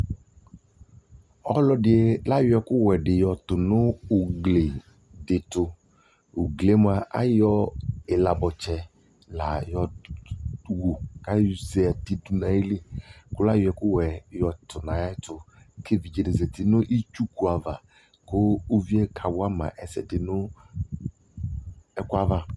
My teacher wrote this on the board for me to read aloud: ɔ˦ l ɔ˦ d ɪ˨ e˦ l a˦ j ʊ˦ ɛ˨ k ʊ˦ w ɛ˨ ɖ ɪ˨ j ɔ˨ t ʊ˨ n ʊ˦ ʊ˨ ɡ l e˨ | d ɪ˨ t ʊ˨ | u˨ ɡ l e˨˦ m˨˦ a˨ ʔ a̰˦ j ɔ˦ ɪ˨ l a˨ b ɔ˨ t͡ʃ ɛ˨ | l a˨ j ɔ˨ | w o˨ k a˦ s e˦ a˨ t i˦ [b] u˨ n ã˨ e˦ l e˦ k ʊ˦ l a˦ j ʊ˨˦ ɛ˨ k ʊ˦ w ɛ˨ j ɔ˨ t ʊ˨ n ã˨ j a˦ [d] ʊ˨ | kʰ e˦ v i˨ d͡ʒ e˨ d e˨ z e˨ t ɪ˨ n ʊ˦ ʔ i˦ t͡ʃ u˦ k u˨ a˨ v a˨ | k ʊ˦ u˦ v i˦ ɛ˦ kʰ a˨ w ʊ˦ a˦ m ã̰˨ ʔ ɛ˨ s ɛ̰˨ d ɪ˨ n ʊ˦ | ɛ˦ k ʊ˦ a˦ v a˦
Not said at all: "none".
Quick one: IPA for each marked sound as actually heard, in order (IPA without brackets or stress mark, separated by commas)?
d, t